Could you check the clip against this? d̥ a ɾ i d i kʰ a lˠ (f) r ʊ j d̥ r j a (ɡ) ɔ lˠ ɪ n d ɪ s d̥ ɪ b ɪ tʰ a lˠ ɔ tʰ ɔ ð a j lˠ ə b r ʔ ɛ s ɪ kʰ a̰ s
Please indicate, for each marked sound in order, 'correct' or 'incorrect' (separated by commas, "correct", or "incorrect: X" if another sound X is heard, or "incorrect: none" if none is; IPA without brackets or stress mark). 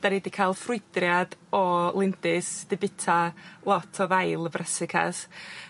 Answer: correct, incorrect: d